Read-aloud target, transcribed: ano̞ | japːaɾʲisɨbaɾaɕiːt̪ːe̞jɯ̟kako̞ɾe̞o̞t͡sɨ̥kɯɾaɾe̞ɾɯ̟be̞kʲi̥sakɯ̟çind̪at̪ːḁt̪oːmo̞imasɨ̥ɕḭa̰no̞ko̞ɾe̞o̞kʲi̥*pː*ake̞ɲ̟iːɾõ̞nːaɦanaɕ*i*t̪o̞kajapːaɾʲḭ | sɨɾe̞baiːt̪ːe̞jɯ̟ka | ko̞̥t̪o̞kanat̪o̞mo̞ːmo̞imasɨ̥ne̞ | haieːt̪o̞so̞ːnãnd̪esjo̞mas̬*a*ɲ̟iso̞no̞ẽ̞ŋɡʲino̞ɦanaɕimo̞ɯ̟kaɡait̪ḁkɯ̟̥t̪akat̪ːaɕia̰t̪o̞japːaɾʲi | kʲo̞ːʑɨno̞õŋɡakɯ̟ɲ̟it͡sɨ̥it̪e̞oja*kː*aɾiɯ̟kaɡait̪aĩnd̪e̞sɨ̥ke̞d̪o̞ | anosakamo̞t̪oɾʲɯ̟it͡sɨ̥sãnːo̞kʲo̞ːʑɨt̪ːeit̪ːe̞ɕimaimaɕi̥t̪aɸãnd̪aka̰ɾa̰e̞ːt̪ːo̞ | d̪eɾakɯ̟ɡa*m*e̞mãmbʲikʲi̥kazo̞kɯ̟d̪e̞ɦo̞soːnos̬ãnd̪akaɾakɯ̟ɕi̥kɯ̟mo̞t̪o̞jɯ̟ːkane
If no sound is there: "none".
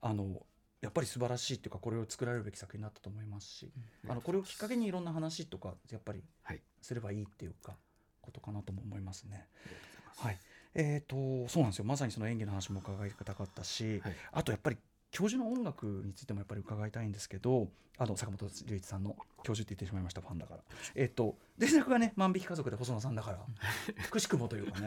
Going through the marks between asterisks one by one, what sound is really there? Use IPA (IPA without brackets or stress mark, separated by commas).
kː, i, a, pː, n